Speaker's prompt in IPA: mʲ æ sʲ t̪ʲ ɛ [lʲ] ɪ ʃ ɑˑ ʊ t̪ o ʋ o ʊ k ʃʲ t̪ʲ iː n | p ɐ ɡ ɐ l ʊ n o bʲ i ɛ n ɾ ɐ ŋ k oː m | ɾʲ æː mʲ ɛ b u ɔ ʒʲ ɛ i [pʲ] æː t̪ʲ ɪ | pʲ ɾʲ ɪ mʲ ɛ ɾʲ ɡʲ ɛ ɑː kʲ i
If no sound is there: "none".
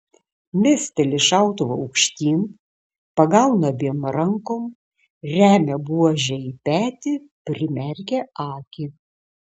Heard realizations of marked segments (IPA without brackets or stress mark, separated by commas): lʲ, pʲ